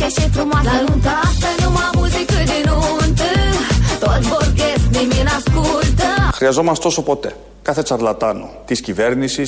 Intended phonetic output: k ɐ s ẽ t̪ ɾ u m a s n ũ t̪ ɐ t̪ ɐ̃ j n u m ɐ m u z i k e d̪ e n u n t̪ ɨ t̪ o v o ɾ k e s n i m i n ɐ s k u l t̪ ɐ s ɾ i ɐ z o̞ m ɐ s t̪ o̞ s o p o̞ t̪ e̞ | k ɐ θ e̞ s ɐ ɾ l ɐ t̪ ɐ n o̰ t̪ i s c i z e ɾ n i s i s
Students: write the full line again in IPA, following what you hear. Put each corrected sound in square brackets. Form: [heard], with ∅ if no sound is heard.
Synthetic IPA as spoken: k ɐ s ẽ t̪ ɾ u m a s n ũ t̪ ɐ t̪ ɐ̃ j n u m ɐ m u z i k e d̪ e n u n t̪ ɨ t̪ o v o ɾ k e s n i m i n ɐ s k u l t̪ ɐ [x] ɾ i ɐ z o̞ m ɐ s t̪ o̞ s o p o̞ t̪ e̞ | k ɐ θ e̞ [t͡s] ɐ ɾ l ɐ t̪ ɐ n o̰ t̪ i s c i [v] e ɾ n i s i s